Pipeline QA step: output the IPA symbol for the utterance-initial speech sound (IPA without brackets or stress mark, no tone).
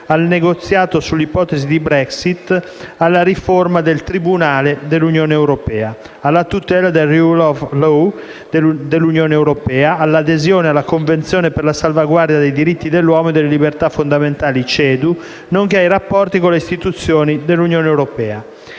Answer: a